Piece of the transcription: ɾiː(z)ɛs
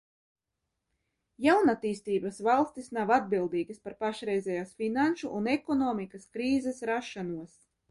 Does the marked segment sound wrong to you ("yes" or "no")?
no